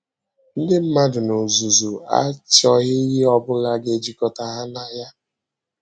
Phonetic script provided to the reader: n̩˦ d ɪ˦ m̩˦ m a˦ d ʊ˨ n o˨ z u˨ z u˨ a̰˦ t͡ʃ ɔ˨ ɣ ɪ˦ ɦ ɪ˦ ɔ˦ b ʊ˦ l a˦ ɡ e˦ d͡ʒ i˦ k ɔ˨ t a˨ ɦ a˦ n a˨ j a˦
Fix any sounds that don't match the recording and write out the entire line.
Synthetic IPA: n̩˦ d ɪ˦ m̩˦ m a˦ d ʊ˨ n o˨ z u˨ z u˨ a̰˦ t͡ʃ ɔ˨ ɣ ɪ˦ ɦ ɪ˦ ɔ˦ b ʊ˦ l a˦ ɡ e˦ d͡ʒ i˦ k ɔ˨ t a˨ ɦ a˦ n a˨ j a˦

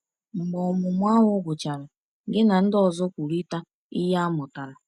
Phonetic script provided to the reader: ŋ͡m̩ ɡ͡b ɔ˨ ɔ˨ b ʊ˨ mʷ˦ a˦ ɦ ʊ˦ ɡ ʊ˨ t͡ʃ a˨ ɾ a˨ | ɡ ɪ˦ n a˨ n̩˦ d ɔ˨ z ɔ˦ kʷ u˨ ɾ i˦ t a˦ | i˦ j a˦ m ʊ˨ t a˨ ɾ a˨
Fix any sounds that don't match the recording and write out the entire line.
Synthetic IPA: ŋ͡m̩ ɡ͡b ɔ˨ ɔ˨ m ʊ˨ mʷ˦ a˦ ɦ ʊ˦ ɡ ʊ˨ t͡ʃ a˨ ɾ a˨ | ɡ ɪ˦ n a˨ n̩˦ d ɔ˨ z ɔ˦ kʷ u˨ ɾ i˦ t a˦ | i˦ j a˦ m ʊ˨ t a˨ ɾ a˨

